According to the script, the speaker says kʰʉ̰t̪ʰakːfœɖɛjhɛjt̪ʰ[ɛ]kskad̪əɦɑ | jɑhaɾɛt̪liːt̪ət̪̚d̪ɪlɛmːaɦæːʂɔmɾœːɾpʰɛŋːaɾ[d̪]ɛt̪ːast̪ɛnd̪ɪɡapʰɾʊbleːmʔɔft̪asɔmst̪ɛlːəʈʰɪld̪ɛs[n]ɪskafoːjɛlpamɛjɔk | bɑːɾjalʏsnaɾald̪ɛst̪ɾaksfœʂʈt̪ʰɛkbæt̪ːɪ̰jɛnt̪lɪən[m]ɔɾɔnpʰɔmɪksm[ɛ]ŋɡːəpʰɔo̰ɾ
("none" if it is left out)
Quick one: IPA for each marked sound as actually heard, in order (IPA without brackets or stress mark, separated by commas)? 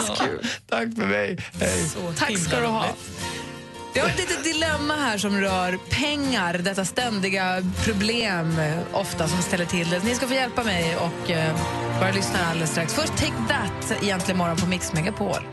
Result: a, d̪, n, m, ɛ